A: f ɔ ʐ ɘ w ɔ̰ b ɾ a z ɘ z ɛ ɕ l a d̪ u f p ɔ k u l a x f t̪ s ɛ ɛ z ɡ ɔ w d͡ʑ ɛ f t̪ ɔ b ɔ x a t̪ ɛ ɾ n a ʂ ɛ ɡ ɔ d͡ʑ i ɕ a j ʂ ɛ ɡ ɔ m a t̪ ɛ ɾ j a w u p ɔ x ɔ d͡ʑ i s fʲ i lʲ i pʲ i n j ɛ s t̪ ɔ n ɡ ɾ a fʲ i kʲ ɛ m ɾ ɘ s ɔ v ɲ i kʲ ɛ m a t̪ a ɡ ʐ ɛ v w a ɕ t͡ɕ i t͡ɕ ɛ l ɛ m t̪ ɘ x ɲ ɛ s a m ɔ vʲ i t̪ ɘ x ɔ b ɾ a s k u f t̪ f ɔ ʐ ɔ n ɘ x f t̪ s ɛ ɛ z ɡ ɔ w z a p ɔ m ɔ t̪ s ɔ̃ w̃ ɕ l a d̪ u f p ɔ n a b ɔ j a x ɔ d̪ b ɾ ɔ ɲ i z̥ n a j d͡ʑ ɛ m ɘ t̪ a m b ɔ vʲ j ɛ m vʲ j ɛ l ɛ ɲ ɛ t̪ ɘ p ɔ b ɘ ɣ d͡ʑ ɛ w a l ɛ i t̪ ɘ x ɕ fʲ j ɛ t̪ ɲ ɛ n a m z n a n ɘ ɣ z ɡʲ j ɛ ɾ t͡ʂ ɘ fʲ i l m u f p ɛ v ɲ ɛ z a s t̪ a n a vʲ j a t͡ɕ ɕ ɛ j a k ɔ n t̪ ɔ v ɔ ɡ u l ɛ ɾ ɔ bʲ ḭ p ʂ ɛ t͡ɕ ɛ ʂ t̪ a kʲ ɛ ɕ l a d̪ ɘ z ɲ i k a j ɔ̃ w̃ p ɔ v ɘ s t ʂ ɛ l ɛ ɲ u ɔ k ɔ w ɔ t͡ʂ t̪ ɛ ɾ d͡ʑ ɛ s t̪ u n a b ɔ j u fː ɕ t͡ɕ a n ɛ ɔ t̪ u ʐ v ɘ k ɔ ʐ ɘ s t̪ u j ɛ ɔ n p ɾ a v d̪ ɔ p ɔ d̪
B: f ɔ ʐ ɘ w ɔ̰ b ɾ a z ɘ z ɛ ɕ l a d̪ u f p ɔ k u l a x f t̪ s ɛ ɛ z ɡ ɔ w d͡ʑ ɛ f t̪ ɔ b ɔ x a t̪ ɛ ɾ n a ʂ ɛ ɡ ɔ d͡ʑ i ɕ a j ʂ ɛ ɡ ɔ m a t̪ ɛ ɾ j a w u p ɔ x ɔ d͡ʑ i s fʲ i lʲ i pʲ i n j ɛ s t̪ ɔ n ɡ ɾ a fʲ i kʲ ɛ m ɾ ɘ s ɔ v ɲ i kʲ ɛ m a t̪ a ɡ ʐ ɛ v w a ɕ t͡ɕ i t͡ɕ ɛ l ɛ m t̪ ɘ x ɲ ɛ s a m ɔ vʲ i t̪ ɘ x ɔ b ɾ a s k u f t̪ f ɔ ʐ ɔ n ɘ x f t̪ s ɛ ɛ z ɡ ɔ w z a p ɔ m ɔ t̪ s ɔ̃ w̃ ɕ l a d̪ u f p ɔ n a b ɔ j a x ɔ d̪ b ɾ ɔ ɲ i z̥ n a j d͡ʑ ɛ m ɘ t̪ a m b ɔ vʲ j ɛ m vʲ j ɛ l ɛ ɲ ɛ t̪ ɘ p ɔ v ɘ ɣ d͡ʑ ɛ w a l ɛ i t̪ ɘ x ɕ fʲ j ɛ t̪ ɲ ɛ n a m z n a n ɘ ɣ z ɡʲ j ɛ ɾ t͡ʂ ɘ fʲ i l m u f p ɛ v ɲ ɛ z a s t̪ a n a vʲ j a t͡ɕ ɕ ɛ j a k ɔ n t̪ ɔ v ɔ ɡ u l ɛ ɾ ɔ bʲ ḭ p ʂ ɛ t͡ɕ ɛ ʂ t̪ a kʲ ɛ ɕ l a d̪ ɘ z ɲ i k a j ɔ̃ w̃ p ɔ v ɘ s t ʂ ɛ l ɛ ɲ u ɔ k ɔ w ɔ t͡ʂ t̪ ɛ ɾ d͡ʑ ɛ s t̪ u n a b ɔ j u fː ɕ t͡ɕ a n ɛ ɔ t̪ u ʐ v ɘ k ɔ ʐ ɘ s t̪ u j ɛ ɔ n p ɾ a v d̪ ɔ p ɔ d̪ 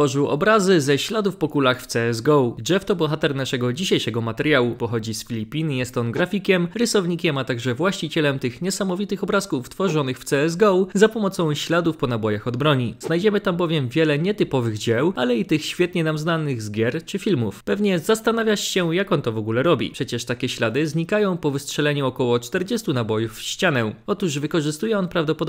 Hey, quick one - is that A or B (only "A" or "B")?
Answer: B